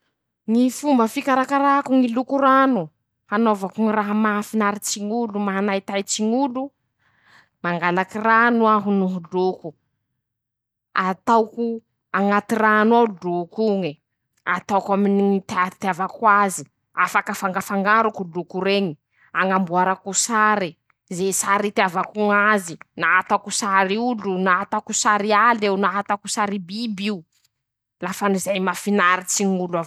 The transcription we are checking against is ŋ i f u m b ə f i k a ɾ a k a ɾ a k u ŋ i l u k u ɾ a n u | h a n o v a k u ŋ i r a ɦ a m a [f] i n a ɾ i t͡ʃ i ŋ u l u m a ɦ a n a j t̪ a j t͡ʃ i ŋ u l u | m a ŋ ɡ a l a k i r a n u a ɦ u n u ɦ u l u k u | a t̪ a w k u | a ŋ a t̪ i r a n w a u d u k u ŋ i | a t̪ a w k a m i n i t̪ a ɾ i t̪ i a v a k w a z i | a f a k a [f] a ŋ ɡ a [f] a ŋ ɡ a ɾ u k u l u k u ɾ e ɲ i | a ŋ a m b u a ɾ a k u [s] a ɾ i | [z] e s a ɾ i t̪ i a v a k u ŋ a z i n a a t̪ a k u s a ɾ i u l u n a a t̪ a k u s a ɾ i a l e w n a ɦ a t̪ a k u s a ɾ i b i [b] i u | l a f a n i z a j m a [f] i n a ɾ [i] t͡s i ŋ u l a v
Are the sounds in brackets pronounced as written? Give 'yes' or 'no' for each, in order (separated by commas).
yes, yes, yes, yes, yes, yes, yes, yes